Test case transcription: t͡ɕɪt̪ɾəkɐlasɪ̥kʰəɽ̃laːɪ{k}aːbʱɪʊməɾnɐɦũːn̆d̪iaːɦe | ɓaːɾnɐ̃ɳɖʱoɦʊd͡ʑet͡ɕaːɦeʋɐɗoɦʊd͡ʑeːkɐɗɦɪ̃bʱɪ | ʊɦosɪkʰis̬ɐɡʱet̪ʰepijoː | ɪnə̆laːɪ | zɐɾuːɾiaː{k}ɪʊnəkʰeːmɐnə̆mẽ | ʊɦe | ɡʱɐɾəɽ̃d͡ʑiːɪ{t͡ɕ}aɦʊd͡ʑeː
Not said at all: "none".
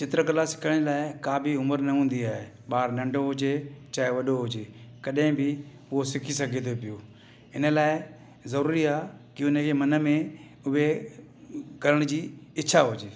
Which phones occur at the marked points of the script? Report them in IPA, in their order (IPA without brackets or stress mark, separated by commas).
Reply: k, k, t͡ɕʰ